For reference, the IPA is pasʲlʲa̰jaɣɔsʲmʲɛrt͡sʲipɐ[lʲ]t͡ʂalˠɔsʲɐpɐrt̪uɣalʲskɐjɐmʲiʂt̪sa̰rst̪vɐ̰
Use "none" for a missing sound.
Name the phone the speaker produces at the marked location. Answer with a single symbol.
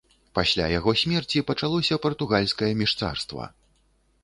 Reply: none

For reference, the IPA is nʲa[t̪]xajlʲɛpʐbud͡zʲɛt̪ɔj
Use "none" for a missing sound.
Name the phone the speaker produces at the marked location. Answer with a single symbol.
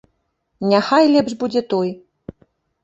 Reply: none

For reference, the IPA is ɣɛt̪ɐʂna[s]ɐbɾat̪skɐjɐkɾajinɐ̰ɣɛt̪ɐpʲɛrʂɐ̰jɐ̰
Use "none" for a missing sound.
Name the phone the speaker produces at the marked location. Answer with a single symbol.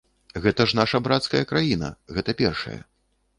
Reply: ʂ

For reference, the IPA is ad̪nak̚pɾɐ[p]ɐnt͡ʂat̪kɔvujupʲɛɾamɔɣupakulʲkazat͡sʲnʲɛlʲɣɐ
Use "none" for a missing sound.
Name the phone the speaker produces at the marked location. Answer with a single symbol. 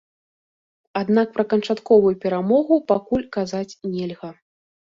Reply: k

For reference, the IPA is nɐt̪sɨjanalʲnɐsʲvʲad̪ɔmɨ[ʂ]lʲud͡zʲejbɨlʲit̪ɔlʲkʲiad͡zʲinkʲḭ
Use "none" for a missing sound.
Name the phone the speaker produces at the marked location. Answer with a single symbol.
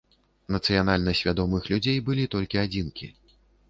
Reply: x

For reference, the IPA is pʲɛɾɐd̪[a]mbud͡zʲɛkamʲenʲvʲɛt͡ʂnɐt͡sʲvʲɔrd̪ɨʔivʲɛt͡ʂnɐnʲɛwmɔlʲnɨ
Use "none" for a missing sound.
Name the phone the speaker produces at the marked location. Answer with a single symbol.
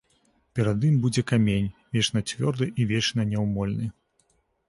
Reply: i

